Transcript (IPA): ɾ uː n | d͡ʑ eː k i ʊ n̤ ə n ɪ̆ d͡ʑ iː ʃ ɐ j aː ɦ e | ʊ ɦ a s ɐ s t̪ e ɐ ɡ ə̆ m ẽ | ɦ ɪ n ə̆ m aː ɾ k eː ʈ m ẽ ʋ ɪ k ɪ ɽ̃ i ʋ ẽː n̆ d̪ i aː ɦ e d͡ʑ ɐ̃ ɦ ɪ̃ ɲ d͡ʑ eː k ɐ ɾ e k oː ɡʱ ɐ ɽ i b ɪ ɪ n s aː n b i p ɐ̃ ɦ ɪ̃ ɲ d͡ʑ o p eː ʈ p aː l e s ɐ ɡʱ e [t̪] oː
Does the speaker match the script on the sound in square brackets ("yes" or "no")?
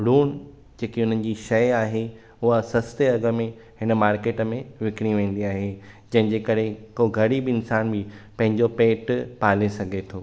no